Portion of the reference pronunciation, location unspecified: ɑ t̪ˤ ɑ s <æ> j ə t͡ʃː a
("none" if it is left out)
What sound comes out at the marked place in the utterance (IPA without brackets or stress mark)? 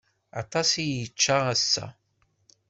i